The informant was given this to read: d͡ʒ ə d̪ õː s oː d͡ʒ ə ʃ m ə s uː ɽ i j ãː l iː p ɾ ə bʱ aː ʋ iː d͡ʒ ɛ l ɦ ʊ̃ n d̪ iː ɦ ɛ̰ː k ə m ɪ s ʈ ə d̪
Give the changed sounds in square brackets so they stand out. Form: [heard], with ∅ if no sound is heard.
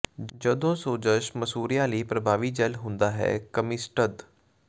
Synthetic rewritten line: d͡ʒ ə d̪ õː s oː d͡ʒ ə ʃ m ə s uː [ɾ] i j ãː l iː p ɾ ə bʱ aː ʋ iː d͡ʒ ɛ l ɦ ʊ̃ n d̪ [aː] ɦ ɛ̰ː k ə m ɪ s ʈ ə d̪